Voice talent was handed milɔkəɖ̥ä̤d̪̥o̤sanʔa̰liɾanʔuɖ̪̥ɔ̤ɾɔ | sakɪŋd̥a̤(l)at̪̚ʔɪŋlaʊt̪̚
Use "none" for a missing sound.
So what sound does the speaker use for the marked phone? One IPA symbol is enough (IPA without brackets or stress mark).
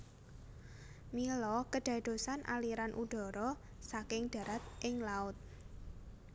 ɾ